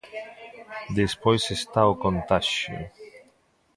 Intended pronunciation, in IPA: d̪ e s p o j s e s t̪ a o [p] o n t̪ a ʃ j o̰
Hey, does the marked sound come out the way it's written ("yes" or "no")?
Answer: no